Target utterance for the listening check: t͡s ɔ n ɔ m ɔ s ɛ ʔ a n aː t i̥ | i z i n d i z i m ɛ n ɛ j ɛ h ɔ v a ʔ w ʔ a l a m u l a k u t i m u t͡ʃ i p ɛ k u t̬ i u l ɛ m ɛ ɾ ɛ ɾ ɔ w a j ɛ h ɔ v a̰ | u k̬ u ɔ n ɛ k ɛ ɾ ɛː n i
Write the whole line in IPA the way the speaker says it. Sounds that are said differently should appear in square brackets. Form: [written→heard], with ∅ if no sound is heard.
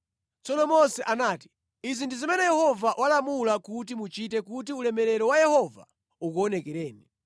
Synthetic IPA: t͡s ɔ n ɔ m ɔ s ɛ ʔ a n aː t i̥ | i z i n d i z i m ɛ n ɛ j ɛ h ɔ v a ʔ w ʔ a l a m u l a k u t i m u t͡ʃ i [p→t] ɛ k u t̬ i u l ɛ m ɛ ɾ ɛ ɾ ɔ w a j ɛ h ɔ v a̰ | u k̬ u ɔ n ɛ k ɛ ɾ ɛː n i